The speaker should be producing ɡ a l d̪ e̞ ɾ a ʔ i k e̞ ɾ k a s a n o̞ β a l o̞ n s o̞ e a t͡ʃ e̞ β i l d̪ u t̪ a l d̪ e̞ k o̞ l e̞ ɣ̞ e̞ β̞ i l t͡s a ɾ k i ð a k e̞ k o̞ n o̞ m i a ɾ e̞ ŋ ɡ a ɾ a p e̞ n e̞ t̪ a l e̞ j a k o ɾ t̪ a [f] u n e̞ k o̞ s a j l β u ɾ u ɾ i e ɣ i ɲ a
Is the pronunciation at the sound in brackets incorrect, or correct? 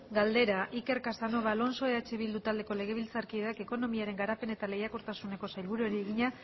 incorrect